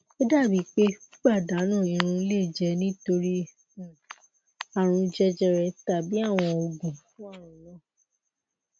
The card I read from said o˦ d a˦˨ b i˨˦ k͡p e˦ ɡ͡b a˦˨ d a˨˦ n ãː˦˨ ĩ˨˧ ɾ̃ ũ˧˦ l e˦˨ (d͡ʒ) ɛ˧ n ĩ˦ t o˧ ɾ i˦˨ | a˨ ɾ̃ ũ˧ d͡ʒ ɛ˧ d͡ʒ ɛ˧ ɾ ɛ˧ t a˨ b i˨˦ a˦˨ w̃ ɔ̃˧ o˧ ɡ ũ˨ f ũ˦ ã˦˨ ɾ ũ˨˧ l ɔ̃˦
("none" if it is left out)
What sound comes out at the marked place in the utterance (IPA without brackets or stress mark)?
d͡ʒ